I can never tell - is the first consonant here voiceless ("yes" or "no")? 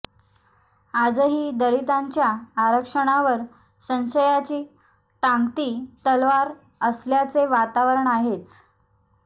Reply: no